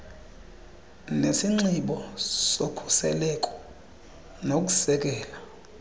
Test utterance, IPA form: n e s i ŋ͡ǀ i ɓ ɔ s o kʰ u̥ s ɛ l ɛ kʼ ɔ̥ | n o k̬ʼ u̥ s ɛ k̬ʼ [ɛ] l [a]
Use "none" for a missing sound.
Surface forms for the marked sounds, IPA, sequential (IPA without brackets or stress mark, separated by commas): ɛː, a